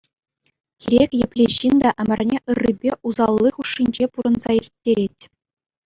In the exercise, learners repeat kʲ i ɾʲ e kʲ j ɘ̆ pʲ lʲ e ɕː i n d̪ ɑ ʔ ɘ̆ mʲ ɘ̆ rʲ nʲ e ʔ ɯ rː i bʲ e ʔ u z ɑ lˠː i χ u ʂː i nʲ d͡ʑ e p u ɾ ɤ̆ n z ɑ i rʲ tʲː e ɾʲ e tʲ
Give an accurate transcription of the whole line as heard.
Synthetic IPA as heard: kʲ i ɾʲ e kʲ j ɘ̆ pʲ lʲ e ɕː i n d̪ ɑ ʔ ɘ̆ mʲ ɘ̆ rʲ nʲ e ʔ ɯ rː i bʲ e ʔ u z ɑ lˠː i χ u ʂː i nʲ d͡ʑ e p u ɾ ɤ̆ n z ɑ i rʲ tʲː e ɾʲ e tʲ